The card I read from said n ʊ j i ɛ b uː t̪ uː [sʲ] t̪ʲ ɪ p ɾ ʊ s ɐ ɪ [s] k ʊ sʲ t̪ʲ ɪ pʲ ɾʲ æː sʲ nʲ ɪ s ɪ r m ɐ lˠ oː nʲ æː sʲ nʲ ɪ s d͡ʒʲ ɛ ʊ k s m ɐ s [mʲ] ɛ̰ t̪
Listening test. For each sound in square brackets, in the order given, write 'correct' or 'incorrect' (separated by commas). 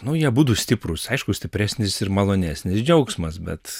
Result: correct, incorrect, incorrect